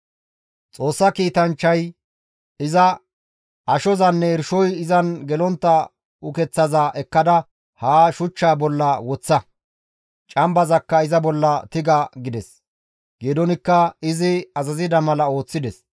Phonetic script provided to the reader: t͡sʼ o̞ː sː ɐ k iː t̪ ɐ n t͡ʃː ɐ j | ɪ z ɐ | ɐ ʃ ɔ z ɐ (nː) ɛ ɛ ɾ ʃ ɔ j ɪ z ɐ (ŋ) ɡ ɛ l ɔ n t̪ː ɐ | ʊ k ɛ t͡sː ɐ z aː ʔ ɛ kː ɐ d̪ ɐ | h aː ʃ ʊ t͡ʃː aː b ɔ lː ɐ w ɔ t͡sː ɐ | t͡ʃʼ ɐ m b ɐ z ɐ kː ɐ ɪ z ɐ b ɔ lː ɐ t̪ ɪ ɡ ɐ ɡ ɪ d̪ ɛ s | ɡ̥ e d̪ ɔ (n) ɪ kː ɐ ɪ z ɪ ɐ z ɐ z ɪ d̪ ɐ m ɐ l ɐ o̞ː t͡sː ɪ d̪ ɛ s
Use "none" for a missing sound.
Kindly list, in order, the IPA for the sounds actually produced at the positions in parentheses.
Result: nː, n, n

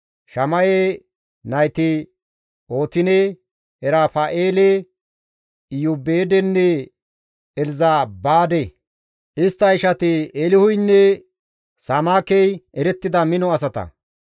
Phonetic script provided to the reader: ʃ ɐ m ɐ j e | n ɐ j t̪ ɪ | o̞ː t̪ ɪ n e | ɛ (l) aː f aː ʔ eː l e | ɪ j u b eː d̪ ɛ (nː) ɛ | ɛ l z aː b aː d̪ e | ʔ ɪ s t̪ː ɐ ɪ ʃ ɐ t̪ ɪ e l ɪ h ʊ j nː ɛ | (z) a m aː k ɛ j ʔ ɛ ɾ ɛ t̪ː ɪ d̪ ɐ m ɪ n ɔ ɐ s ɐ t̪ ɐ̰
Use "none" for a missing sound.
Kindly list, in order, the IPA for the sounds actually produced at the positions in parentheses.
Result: ɾ, nː, s

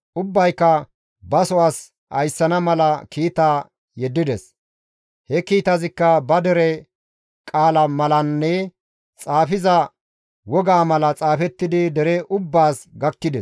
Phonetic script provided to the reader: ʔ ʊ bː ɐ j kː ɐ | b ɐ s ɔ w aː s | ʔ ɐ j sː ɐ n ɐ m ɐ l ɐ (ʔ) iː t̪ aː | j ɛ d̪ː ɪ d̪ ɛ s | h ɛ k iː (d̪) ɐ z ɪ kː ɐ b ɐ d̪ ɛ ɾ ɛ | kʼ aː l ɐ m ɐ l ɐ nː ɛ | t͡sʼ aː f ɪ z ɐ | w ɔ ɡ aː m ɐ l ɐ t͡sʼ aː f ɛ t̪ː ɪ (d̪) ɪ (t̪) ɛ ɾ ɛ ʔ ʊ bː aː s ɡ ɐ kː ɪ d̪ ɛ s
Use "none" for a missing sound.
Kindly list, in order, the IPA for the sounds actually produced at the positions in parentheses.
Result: k, t̪, d̪, d̪

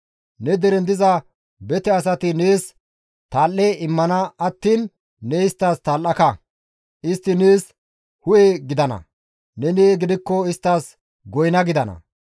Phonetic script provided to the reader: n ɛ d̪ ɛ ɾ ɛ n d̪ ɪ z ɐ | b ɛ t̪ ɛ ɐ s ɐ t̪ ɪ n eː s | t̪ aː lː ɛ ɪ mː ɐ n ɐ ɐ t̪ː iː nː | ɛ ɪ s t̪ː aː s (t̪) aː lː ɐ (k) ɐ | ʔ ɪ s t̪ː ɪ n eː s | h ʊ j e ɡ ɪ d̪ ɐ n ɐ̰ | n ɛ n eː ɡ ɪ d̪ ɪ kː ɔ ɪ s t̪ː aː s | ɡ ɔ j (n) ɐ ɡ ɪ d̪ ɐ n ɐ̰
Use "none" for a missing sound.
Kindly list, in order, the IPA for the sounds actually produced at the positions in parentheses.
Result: t̪, k, n

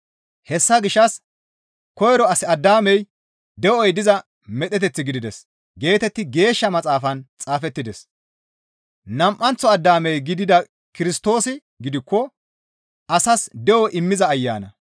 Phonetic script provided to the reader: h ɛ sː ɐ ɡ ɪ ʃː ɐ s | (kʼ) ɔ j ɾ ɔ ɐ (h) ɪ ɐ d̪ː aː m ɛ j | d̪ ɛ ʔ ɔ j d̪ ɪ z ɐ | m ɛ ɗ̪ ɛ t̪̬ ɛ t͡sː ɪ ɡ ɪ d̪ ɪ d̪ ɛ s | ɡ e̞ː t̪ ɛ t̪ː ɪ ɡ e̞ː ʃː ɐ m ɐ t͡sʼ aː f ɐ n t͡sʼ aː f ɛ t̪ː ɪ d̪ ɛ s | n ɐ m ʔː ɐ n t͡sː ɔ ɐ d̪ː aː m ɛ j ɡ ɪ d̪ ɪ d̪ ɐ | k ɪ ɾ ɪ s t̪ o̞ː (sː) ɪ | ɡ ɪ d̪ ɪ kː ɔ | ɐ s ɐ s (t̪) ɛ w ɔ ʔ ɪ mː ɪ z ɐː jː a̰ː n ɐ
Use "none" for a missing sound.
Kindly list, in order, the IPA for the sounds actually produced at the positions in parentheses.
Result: k, s, s, d̪

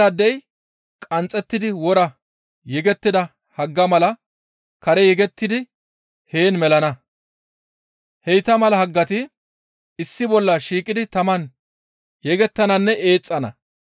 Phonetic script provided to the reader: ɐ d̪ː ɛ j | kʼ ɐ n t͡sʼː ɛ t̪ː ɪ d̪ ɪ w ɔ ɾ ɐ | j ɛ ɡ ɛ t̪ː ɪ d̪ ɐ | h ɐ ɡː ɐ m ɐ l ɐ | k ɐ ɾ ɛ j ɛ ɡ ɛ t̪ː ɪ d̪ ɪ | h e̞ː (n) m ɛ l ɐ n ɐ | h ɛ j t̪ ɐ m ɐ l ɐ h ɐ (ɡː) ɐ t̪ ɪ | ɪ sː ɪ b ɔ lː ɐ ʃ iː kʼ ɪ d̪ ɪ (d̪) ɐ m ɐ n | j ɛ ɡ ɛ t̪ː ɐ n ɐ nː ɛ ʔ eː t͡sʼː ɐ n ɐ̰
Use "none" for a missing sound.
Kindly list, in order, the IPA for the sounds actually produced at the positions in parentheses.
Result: n, ɡː, t̪

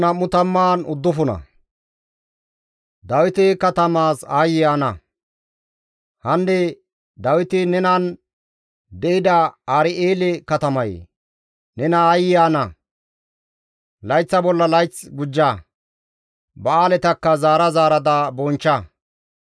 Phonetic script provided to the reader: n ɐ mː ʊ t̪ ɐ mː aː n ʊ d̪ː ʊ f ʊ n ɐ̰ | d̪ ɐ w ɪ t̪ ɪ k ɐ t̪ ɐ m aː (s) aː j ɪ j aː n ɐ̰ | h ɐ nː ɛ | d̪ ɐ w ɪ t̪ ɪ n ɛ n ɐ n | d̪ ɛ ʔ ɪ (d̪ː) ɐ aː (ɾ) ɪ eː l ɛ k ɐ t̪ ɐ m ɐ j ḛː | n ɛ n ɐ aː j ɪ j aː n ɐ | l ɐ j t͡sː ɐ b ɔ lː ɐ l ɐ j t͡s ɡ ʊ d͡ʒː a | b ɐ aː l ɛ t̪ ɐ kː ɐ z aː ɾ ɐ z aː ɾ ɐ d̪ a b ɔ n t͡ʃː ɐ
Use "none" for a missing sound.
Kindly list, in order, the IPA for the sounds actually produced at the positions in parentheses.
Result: s, d̪, ɾ

